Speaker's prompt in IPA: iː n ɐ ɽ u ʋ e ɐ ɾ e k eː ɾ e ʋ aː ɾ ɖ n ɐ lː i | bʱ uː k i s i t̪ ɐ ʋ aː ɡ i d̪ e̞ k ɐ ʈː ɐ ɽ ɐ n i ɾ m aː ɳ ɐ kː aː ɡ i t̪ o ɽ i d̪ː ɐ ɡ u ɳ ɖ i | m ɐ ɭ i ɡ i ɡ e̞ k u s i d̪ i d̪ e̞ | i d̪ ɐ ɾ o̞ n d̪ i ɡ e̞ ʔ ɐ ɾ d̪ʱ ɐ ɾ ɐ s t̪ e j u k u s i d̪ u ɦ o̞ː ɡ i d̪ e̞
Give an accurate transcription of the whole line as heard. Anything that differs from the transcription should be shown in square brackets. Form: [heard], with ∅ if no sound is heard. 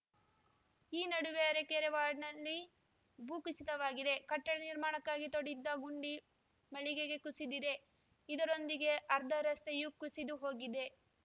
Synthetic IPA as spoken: iː n ɐ ɽ u ʋ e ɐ ɾ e k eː ɾ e ʋ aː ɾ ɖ n ɐ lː i | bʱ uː k i s i t̪ ɐ ʋ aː ɡ i d̪ e̞ k ɐ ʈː ɐ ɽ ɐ n i ɾ m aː ɳ ɐ kː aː ɡ i t̪ o ɽ i d̪ː ɐ ɡ u ɳ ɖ i | m ɐ ɭ i ɡ [e] ɡ e̞ k u s i d̪ i d̪ e̞ | i d̪ ɐ ɾ o̞ n d̪ i ɡ e̞ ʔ ɐ ɾ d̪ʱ ɐ ɾ ɐ s t̪ e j u k u s i d̪ u ɦ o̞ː ɡ i d̪ e̞